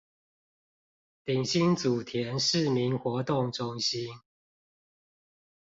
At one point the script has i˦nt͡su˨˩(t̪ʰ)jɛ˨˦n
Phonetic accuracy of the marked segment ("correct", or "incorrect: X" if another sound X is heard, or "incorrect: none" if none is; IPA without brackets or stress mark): correct